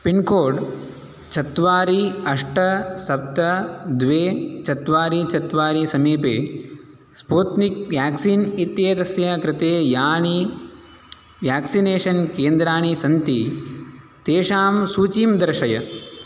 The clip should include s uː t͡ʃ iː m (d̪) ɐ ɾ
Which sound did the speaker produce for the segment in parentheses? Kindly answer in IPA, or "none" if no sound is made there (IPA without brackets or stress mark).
d̪